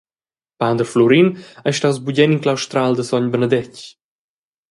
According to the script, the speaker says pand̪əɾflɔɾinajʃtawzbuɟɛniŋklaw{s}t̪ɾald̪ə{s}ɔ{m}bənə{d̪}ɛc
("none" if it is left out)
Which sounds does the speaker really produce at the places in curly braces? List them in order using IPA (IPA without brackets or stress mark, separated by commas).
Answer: ʃ, s, ɲ, d̪